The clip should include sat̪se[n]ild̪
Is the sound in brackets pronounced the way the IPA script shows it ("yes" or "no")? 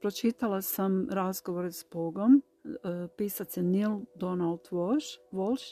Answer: yes